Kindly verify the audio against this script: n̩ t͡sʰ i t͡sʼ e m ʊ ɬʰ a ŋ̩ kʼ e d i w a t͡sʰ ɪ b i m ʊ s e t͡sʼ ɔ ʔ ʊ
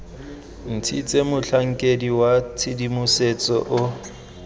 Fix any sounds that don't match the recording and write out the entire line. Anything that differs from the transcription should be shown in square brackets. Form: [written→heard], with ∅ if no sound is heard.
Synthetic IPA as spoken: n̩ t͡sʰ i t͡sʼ e m ʊ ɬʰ a ŋ̩ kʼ e d i w a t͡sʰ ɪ [b→d] i m ʊ s e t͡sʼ ɔ ʔ ʊ